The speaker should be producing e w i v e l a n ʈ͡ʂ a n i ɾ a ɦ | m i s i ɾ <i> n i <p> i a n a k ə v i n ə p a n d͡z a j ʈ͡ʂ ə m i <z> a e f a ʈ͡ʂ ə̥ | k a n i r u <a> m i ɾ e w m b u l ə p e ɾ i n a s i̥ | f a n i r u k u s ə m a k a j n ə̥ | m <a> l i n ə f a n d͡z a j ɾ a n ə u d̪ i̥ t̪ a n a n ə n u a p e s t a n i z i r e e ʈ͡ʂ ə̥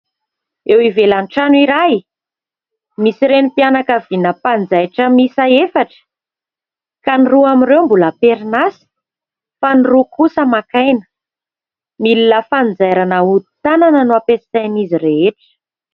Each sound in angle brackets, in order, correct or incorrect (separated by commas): incorrect, correct, incorrect, correct, incorrect